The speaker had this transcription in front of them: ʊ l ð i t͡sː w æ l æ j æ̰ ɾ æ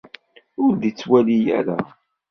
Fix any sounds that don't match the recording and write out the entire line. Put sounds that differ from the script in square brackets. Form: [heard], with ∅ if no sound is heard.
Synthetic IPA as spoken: ʊ [ɾ] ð i t͡sː w æ l [i] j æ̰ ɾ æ